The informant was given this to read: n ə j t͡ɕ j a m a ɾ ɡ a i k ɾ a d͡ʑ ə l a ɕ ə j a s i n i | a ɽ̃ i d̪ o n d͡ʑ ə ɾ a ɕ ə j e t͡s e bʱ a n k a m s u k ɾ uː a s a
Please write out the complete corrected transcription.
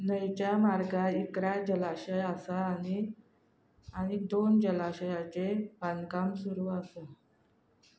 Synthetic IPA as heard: n ə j t͡ɕ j a m a ɾ ɡ a i k ɾ a d͡ʑ ə l a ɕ ə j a s a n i | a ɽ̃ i d̪ o n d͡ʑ ə l a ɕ ə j a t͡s e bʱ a n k a m s u ɾ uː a s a